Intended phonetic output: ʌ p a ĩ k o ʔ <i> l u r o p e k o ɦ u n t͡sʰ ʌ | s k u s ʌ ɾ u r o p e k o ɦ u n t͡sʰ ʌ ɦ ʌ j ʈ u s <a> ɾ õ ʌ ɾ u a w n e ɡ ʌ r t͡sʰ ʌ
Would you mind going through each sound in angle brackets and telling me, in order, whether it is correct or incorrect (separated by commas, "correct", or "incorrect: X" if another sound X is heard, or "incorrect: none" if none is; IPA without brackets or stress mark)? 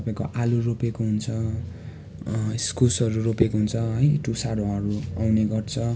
incorrect: a, correct